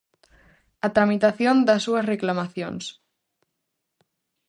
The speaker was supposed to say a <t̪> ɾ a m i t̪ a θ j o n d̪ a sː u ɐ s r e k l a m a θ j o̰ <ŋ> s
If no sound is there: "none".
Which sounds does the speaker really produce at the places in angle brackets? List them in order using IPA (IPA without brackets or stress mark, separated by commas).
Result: t̪, n